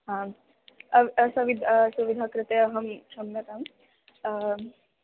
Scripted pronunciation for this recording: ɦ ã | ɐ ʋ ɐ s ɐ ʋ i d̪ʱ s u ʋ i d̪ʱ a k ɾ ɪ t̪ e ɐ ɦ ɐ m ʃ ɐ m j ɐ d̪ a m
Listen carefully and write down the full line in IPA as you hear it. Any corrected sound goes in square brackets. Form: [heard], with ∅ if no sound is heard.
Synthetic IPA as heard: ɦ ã | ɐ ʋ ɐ s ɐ ʋ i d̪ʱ s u ʋ i d̪ʱ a k ɾ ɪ t̪ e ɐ ɦ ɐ m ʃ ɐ m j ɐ [t̪] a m